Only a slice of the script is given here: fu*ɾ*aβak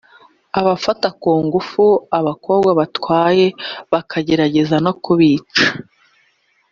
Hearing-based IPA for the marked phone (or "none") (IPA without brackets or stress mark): none